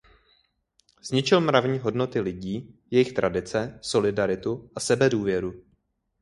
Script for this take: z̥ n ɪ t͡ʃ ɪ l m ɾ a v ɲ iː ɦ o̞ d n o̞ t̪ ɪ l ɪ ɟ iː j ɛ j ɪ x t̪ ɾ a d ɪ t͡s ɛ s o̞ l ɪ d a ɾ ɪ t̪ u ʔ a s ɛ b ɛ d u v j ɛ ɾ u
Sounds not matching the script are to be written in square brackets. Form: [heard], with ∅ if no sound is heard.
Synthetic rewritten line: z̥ [ɲ] ɪ t͡ʃ ɪ l m ɾ a v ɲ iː ɦ o̞ d n o̞ t̪ ɪ l ɪ ɟ iː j ɛ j ɪ x t̪ ɾ a d ɪ t͡s ɛ s o̞ l ɪ d a ɾ ɪ t̪ u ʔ a s ɛ b ɛ d [uː] v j ɛ ɾ u